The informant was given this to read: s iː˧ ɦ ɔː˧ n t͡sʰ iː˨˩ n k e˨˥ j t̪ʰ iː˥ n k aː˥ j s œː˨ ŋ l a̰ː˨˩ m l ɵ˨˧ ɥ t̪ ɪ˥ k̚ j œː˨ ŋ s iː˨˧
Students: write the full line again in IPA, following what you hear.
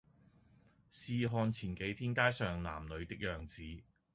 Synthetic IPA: s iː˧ ɦ ɔː˧ n t͡sʰ iː˨˩ n k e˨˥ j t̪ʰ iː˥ n k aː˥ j s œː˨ ŋ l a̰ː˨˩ m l ɵ˨˧ ɥ t̪ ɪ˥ k̚ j œː˨ ŋ t͡s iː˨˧